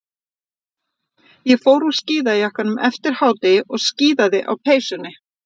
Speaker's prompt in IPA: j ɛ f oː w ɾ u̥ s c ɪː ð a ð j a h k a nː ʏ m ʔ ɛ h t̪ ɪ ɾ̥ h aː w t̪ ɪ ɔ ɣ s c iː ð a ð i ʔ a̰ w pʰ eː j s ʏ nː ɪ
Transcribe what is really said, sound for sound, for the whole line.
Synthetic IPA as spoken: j ɛ f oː w ɾ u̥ s c iː ð a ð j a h k a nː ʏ m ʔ ɛ f t̪ ɪ ɾ̥ h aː w t̪ ɪ ɔ ɣ s c iː ð a ð ɪ ʔ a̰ w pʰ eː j s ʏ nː ɪ

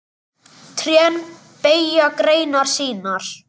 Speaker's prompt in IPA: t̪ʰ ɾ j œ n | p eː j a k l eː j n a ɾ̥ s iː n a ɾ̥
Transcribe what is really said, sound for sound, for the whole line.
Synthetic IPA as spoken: t̪ʰ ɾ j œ n | p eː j a k ɾ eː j n a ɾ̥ s iː n a ɾ̥

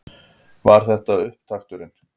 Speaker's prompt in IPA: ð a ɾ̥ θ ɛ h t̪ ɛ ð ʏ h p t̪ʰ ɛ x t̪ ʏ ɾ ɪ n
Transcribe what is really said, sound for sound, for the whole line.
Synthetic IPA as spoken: v a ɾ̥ θ ɛ h t̪ a ð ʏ h p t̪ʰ a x t̪ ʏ ɾ ɪ n

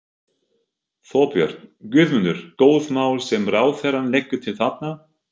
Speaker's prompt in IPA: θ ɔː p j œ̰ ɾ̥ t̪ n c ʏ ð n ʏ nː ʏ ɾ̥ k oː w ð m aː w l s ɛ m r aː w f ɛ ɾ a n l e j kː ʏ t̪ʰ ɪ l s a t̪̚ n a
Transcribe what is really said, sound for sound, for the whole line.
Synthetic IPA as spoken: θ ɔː p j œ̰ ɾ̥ t̪ n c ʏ ð m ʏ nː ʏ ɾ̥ k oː w ð m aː w l s ɛ m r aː w θ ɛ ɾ a n l e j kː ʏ t̪ʰ ɪ l θ a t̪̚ n a

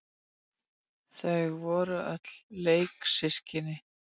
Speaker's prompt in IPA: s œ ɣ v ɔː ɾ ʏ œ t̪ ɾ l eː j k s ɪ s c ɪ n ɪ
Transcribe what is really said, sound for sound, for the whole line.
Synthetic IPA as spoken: θ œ ɣ v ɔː ɾ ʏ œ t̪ l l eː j k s ɪ s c ɪ n ɪ

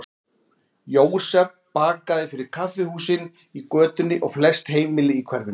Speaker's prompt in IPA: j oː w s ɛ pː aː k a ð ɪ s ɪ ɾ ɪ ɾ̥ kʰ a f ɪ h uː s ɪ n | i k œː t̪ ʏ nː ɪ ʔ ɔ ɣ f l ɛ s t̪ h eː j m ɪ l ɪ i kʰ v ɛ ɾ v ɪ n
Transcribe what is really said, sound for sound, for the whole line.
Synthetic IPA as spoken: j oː w s ɛ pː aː k a ð ɪ f ɪ ɾ ɪ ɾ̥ kʰ a f ɪ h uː s ɪ n | i k œː t̪ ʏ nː ɪ ʔ ɔ ɣ f l ɛ s t̪ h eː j m ɪ l ɪ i kʰ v ɛ ɾ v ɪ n

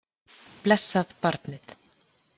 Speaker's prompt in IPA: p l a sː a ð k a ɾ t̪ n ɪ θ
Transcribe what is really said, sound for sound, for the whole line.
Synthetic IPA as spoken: p l ɛ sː a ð p a ɾ t̪ n ɪ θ

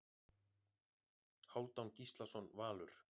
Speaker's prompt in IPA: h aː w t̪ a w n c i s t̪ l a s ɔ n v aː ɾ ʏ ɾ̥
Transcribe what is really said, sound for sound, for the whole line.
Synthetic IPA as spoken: h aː w t̪ a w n c i s t̪ l a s ɔ n v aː l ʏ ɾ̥

